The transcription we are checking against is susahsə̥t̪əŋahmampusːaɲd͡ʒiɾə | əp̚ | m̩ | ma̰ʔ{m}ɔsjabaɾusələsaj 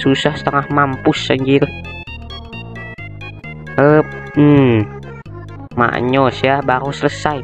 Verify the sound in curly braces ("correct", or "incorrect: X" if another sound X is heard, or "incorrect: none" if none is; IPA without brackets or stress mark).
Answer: incorrect: ɲ